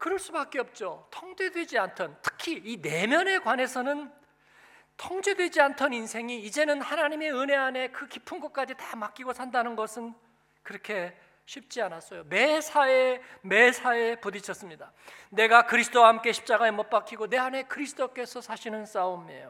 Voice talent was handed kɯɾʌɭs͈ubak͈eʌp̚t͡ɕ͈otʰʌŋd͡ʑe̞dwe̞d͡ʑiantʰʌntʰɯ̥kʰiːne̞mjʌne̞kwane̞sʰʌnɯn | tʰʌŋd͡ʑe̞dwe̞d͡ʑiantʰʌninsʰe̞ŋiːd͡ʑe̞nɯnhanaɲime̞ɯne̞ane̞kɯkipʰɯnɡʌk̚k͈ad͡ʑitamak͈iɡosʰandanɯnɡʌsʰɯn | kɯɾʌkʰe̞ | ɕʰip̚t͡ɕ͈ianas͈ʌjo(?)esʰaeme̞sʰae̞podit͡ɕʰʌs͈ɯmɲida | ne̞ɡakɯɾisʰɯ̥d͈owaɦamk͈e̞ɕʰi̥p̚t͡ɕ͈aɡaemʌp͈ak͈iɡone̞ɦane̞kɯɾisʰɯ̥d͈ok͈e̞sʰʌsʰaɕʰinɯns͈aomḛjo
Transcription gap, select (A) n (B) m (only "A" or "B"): B